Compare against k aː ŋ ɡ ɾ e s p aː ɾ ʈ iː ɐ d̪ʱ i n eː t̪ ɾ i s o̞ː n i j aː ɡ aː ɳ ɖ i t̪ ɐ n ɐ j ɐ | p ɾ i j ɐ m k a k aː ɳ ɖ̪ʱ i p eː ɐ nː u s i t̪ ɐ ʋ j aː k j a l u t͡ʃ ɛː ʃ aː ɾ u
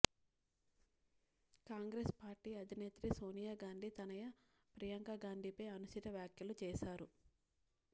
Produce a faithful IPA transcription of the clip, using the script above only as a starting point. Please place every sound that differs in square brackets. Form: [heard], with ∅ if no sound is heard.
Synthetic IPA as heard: k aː ŋ ɡ ɾ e s p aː ɾ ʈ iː ɐ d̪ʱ i n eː t̪ ɾ i s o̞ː n i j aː ɡ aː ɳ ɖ i t̪ ɐ n ɐ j ɐ | p ɾ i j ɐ [ŋ] k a [ɡ] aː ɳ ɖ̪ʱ i p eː ɐ [n] u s i t̪ ɐ ʋ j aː k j [ɐ] l u t͡ʃ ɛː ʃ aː ɾ u